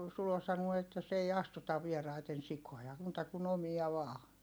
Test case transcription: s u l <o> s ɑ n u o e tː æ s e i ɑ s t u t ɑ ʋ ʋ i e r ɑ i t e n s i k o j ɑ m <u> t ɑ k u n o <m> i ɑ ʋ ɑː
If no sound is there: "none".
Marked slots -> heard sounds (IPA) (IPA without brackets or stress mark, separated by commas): o, uː, m